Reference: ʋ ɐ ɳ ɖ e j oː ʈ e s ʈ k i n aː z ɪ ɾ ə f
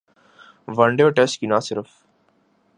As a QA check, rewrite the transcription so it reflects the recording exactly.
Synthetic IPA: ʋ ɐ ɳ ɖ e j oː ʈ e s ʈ k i n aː s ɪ ɾ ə f